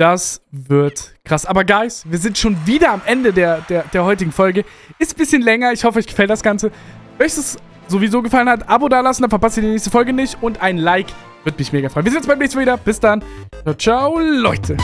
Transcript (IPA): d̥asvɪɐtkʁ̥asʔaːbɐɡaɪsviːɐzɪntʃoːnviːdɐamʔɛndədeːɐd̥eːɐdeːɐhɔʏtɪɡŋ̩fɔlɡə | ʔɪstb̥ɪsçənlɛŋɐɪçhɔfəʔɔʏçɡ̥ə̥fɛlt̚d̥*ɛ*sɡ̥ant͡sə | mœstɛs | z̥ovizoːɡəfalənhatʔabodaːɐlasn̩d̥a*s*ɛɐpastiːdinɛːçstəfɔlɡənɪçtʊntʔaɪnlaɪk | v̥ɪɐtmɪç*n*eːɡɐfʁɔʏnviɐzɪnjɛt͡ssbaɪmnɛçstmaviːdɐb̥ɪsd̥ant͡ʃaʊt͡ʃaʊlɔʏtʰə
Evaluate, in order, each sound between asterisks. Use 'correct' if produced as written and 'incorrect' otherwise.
incorrect: a, incorrect: f, incorrect: m

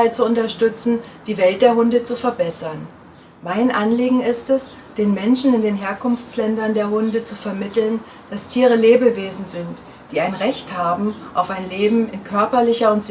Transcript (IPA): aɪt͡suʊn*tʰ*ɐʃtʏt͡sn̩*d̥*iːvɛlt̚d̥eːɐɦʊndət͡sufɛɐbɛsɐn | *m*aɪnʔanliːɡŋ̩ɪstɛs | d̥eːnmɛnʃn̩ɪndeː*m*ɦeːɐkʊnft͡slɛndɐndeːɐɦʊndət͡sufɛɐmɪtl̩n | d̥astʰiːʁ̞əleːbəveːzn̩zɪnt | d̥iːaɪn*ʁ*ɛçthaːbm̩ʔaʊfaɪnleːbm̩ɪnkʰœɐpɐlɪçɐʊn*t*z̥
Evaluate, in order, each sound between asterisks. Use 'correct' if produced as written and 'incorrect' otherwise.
incorrect: t, correct, correct, incorrect: n, correct, correct

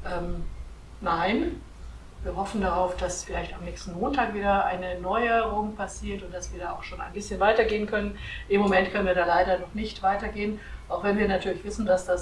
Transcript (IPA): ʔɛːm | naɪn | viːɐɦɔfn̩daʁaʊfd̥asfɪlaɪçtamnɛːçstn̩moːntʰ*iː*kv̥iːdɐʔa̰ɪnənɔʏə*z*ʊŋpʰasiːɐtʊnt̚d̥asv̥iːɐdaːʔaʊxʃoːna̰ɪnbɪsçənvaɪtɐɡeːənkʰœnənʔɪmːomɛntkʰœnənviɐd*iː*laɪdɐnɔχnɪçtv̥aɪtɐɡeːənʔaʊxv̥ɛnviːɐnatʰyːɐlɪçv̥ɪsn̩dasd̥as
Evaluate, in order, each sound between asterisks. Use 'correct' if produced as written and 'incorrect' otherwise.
incorrect: aː, incorrect: ʁ, incorrect: aː

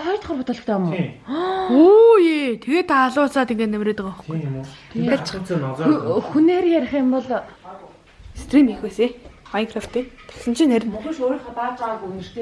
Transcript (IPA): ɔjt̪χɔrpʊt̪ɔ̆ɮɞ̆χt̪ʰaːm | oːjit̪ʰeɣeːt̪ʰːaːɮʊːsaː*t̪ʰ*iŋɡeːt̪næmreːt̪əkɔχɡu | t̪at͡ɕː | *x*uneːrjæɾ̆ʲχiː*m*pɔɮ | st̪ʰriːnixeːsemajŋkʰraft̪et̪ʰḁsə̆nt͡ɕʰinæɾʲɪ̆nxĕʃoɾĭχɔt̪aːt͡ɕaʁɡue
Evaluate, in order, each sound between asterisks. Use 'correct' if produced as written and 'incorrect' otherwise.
incorrect: t̪, correct, correct

